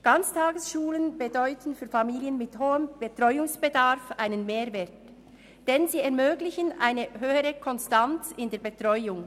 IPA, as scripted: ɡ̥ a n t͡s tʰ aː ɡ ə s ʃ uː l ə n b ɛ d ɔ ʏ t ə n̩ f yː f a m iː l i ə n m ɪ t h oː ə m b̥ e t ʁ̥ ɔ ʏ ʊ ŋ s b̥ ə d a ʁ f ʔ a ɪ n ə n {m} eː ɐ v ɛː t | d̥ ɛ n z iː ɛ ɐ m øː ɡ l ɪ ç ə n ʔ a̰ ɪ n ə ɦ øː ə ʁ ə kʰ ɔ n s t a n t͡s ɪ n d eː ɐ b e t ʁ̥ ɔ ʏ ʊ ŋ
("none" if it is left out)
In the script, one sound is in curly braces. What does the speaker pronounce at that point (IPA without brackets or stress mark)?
m